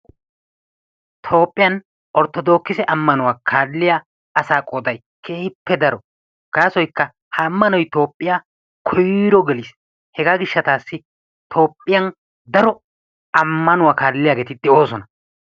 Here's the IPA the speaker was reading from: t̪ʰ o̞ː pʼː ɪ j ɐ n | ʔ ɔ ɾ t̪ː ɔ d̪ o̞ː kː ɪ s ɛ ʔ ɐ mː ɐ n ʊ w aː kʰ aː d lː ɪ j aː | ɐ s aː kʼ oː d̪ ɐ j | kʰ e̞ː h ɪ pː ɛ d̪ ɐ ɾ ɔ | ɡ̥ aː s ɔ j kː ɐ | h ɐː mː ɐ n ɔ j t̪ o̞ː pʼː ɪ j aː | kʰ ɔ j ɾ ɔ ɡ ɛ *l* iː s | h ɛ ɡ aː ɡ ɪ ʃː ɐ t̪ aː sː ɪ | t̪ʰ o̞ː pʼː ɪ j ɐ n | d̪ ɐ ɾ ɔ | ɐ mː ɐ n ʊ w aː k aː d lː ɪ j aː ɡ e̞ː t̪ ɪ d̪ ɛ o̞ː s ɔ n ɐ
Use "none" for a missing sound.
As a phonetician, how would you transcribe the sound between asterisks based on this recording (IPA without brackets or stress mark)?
l